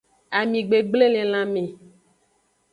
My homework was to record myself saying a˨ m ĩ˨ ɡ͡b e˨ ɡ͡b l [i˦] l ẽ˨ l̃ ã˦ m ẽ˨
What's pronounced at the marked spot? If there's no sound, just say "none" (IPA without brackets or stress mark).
e˦